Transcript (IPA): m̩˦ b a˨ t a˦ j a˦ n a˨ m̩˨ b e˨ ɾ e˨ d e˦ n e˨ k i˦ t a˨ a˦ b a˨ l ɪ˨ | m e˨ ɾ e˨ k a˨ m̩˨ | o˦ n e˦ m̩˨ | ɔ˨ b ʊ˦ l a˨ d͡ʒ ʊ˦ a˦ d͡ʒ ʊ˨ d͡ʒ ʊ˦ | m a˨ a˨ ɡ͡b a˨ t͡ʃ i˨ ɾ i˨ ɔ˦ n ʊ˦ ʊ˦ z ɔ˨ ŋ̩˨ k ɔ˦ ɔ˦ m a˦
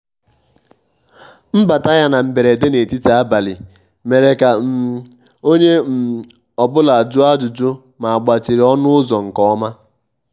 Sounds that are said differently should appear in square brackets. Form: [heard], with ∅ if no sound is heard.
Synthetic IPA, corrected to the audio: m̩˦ b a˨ t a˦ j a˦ n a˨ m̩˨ b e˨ ɾ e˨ d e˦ n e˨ [t] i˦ t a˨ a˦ b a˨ l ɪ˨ | m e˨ ɾ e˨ k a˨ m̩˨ | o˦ [ɲ] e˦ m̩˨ | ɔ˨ b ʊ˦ l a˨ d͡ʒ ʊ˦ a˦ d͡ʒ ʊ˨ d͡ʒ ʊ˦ | m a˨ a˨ ɡ͡b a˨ t͡ʃ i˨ ɾ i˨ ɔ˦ n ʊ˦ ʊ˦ z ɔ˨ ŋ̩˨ k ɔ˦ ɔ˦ m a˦